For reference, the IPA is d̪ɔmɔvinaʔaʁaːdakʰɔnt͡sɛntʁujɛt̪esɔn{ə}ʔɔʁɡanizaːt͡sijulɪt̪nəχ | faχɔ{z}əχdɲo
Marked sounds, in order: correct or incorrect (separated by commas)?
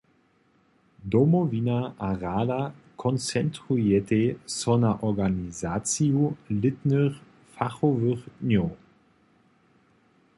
incorrect, incorrect